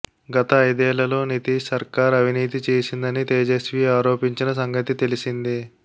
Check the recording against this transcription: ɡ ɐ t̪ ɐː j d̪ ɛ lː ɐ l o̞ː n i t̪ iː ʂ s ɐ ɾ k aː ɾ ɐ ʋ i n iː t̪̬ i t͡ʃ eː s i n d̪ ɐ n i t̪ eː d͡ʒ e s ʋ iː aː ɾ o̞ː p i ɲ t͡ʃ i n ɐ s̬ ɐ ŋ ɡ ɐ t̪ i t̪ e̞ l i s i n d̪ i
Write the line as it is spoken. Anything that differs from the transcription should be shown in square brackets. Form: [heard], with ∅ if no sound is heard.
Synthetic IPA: ɡ ɐ t̪ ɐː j d̪ [ɛː] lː ɐ l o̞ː n i t̪ iː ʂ s ɐ ɾ k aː ɾ ɐ ʋ i n iː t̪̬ i t͡ʃ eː s i n d̪ ɐ n i t̪ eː d͡ʒ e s ʋ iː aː ɾ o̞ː p i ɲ t͡ʃ i n ɐ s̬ ɐ ŋ ɡ ɐ t̪ i t̪ e̞ l i s i n d̪ i